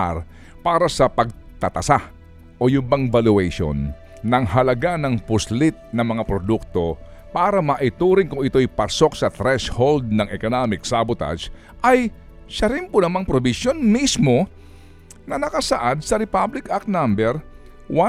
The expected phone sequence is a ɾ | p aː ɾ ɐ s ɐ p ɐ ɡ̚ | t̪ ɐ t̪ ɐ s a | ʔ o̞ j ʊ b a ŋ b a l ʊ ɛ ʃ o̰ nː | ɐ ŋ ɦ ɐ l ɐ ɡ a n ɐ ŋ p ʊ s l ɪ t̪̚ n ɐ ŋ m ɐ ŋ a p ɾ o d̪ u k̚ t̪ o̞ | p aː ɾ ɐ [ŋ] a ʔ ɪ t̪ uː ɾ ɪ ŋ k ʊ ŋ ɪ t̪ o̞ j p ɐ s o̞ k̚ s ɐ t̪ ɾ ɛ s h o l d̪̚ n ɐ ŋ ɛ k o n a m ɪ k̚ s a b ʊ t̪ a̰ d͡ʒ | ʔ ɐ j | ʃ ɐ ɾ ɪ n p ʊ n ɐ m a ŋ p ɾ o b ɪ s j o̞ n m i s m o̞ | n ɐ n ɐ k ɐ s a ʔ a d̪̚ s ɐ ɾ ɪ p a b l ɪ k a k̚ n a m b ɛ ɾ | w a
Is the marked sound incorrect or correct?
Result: incorrect